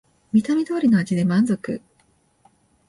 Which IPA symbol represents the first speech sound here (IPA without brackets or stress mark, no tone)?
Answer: mʲ